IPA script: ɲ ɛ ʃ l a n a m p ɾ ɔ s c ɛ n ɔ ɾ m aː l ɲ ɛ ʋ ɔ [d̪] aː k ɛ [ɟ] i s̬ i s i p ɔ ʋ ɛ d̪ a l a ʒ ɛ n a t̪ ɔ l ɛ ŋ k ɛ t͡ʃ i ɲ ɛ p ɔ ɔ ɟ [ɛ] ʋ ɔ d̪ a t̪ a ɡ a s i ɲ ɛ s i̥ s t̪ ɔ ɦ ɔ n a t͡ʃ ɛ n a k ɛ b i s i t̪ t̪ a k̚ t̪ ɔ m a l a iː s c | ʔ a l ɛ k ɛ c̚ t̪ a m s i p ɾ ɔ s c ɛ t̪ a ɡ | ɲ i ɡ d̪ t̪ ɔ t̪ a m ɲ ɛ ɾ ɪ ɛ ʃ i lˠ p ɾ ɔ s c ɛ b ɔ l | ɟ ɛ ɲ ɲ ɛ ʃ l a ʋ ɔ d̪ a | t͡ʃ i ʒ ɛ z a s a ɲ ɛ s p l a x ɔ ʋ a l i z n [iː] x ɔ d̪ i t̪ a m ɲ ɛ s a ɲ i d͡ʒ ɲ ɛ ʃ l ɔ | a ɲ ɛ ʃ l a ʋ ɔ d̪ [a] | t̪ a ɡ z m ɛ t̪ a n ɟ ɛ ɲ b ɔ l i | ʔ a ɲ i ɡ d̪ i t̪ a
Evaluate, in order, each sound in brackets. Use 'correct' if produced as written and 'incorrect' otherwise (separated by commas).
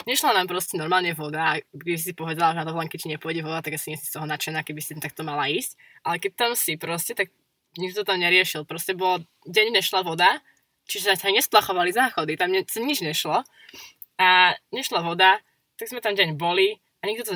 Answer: correct, incorrect, correct, incorrect, correct